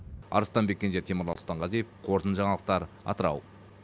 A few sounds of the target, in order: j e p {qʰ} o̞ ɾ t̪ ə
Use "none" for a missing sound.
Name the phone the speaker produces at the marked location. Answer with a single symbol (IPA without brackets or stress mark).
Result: qʰ